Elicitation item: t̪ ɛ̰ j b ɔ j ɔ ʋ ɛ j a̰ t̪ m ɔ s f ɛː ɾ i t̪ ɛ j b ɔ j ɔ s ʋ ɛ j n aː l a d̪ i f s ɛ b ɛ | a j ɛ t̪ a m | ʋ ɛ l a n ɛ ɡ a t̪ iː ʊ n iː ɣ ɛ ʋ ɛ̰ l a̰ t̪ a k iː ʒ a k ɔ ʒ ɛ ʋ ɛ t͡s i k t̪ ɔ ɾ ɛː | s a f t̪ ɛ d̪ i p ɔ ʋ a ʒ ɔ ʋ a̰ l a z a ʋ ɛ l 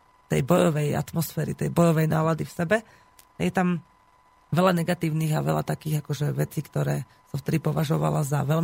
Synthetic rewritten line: t̪ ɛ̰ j b ɔ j ɔ ʋ ɛ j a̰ t̪ m ɔ s f ɛː ɾ i t̪ ɛ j b ɔ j ɔ ʋ ɛ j n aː l a d̪ i f s ɛ b ɛ | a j ɛ t̪ a m | ʋ ɛ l a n ɛ ɡ a t̪ iː ʊ n iː ɣ a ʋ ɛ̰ l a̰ t̪ a k iː ɣ a k ɔ ʒ ɛ ʋ ɛ t͡s i k t̪ ɔ ɾ ɛː | s a f t̪ ɛ d̪ i p ɔ ʋ a ʒ ɔ ʋ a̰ l a z a ʋ ɛ l